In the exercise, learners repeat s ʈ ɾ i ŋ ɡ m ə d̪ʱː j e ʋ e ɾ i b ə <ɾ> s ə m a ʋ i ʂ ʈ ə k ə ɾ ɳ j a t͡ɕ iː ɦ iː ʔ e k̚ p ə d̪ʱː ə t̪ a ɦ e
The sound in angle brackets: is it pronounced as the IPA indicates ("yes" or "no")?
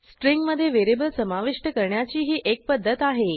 no